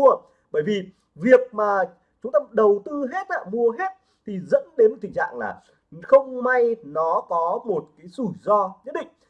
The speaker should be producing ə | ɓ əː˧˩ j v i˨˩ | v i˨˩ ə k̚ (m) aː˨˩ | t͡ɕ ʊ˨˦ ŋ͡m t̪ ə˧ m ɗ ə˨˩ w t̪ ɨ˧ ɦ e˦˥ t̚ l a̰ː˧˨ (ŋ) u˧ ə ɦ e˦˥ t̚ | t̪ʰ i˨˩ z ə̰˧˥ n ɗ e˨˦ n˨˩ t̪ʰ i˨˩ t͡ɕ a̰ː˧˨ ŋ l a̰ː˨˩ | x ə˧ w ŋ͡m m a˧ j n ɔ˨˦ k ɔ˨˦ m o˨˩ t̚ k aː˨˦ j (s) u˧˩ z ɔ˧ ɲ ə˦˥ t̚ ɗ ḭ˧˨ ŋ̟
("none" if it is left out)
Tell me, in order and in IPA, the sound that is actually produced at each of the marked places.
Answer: m, m, s

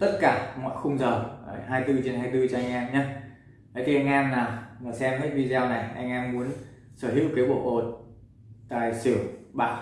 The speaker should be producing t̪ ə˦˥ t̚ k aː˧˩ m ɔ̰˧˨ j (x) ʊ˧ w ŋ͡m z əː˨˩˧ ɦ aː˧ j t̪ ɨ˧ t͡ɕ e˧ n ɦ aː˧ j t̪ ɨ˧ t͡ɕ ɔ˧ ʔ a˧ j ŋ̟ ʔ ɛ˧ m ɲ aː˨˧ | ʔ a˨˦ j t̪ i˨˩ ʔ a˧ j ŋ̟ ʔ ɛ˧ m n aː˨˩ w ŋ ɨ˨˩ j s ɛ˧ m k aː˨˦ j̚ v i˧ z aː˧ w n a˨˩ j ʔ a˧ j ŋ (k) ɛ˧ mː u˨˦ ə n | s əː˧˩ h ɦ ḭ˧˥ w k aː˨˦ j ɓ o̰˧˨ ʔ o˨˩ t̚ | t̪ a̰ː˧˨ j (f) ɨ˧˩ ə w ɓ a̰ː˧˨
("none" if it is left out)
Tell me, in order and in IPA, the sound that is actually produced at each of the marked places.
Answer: x, ʔ, s

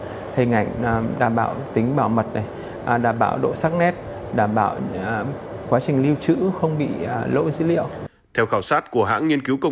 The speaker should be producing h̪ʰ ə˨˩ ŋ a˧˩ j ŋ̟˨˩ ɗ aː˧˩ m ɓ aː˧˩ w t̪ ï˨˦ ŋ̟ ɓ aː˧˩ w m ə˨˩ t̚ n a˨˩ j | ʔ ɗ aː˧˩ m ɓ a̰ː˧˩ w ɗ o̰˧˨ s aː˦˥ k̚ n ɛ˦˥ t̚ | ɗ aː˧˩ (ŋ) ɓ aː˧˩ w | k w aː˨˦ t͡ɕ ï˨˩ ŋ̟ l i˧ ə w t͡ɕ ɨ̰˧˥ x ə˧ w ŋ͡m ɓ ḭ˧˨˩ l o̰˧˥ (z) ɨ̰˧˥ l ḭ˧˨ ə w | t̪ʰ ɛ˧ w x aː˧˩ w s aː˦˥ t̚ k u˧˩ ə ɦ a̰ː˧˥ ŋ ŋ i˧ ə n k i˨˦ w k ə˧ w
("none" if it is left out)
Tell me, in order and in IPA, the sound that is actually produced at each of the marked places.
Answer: m, z

